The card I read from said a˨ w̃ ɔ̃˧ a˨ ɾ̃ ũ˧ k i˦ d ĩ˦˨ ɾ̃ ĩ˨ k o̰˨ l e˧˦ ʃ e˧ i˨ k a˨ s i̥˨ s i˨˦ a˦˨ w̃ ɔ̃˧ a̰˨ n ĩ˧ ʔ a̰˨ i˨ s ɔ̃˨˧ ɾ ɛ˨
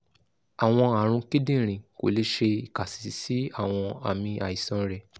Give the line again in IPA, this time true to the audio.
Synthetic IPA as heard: a˨ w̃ ɔ̃˧ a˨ ɾ̃ ũ˧ k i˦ d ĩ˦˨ ɾ̃ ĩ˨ k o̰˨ l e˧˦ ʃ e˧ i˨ k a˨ s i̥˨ s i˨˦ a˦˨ w̃ ɔ̃˧ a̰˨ m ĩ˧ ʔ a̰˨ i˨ s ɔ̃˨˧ ɾ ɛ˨

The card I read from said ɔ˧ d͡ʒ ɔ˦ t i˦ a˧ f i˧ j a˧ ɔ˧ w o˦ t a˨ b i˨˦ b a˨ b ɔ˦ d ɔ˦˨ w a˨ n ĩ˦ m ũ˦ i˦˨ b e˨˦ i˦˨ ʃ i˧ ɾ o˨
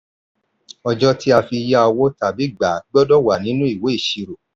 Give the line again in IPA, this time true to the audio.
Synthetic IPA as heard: ɔ˧ d͡ʒ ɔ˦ t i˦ a˧ f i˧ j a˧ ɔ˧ w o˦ t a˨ b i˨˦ ɡ͡b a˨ ɡ͡b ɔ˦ d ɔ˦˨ w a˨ n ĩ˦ n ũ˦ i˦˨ w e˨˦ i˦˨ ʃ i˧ ɾ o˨

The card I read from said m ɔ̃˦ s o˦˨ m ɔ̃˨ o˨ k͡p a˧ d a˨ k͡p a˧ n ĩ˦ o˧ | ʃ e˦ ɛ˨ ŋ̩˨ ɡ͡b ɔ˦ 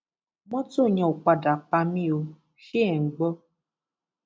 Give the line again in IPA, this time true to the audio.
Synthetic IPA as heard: m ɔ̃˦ t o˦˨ ɲ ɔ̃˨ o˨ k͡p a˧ d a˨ k͡p a˧ m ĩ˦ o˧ | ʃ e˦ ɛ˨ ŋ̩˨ ɡ͡b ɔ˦

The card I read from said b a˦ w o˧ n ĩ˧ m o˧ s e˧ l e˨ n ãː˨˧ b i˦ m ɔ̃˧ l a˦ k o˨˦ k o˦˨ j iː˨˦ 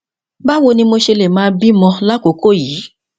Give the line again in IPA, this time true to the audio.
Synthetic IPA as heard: b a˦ w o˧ n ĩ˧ m o˧ ʃ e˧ l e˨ m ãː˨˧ b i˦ m ɔ̃˧ l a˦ k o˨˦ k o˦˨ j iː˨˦

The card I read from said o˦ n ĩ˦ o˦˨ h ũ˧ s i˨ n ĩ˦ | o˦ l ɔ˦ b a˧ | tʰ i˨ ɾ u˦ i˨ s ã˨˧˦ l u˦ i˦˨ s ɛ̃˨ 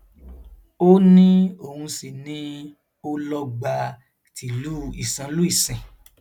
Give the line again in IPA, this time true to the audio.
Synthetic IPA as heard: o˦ n ĩ˦ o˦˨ h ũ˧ s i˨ n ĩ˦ | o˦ l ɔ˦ ɡ͡b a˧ | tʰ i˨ l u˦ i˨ s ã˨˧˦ l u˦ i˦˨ s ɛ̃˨

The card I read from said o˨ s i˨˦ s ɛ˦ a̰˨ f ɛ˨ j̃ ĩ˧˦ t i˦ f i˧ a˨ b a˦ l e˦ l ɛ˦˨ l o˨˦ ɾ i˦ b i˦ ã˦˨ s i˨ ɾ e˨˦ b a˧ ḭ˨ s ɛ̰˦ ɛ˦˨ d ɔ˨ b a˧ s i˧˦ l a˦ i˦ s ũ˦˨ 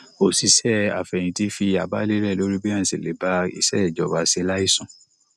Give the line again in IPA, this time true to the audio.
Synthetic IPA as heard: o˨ s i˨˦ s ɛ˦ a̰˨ f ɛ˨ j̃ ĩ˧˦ t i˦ f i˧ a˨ b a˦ l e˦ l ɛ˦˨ l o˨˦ ɾ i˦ b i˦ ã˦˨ s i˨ l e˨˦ b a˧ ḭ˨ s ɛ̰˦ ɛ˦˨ d͡ʒ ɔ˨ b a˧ s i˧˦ l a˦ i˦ s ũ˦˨

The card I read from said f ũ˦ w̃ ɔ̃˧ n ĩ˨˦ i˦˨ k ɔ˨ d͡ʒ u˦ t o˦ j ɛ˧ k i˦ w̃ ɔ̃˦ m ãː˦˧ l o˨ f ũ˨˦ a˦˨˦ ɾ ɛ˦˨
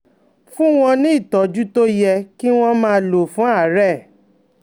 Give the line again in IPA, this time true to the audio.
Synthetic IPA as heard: f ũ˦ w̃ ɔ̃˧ n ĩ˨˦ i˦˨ t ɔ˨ d͡ʒ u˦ t o˦ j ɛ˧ k i˦ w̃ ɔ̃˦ m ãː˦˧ l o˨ f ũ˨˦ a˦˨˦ ɾ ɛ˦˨

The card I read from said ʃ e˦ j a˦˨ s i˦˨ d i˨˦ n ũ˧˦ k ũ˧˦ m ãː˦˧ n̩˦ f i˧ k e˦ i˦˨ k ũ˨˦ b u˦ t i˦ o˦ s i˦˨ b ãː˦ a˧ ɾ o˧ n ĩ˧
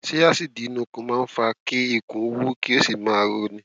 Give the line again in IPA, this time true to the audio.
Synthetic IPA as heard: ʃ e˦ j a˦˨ s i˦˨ d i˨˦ n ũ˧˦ k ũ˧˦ m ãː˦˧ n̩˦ f a˧ k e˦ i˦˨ k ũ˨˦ w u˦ k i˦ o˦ s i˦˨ m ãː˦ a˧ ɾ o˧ n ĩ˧

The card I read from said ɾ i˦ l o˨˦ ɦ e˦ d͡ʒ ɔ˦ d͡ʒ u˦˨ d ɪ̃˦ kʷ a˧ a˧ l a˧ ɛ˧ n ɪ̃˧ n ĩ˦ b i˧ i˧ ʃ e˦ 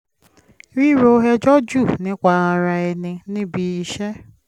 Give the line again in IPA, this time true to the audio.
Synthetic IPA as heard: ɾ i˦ ɾ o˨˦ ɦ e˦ d͡ʒ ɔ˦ d͡ʒ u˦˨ n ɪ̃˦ kʷ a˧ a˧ ɾ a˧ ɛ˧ n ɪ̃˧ n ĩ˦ b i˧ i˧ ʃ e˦

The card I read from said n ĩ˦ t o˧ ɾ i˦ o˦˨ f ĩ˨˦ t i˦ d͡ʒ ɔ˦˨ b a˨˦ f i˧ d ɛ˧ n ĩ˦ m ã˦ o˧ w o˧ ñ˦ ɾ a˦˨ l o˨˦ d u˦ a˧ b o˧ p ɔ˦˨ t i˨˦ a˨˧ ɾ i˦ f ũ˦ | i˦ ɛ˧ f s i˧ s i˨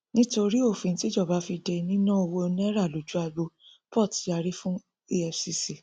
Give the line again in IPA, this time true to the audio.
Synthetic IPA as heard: n ĩ˦ t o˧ ɾ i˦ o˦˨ f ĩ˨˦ t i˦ d͡ʒ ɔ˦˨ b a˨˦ f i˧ d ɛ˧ n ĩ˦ n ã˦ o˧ w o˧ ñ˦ ɾ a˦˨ l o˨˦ d͡ʒ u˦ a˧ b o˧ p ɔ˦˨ t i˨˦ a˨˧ ɾ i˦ f ũ˦ | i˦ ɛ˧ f s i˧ s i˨

